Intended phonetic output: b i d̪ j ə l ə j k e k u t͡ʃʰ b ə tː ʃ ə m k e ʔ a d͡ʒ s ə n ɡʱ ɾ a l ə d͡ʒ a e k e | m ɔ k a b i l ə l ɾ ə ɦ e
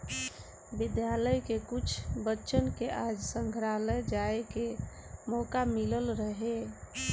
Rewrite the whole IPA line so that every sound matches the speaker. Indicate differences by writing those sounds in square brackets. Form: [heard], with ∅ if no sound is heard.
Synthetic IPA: b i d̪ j [a] l ə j k e k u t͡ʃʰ b ə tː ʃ ə [n] k e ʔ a d͡ʒ s ə [ŋ] ɡʱ ɾ a l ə d͡ʒ a e k e | m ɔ k a [m] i l ə l ɾ ə ɦ e